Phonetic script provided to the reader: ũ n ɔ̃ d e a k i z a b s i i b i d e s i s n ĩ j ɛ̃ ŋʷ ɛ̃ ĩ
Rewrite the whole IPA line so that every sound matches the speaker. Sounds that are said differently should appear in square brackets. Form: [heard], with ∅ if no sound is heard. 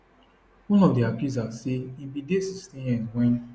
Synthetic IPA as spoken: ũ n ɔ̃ d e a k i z a [∅] s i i b i d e s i s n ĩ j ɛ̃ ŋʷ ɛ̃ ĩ

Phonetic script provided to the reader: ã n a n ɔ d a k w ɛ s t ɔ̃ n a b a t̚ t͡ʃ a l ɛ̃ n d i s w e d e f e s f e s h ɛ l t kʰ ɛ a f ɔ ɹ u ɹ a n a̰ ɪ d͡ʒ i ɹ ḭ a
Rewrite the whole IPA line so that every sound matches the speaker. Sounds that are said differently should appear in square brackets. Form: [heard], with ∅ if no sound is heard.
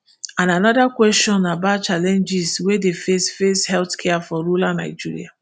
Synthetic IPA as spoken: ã n a n ɔ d a k w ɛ s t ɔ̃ n a b a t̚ t͡ʃ a l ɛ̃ n [d͡ʒ] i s w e d e f e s f e s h ɛ l t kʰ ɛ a f ɔ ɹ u [l] a n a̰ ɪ d͡ʒ i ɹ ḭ a

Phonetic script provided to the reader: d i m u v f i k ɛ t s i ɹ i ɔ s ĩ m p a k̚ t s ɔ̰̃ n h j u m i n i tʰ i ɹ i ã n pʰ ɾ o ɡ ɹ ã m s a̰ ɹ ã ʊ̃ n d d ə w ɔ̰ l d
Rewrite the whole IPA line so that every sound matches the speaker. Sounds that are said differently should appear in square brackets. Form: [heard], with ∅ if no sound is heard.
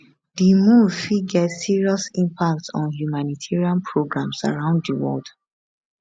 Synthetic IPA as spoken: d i m u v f i [ɡ] ɛ t s i ɹ i ɔ s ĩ m p a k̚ t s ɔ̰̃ n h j u m [a] n i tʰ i ɹ i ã n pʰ [ɹ] o ɡ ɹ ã m s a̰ ɹ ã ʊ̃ n d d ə w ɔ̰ l d

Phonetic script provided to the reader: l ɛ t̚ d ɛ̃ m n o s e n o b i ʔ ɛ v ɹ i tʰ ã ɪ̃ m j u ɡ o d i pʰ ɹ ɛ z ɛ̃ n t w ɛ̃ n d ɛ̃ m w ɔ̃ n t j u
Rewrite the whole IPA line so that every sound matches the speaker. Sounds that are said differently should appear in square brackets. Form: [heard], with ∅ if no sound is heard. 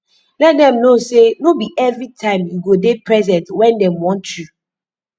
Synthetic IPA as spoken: l ɛ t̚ d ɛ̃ m n o s e n o b i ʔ ɛ v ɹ i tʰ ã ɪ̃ m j u ɡ o d [e] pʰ ɹ ɛ z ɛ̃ n t w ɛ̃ n d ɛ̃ m w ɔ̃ n t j u

